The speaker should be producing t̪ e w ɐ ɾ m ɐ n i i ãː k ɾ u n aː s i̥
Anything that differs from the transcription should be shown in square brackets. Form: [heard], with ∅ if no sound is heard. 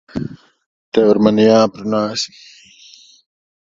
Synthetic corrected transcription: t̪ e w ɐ ɾ m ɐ n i [j] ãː [p] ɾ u n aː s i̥